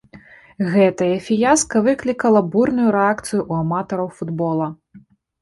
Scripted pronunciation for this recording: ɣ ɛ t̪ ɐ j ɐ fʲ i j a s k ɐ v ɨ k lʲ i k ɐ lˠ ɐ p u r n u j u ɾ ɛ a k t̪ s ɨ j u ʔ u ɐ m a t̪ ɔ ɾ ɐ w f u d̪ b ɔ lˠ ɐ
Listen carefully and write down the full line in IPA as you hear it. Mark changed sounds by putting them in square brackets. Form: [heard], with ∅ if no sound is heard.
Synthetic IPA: ɣ ɛ t̪ ɐ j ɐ fʲ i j a s k ɐ v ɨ k lʲ i k ɐ lˠ ɐ [b] u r n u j u ɾ ɛ a k t̪ s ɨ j u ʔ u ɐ m a t̪ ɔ ɾ ɐ w f u d̪ b ɔ lˠ ɐ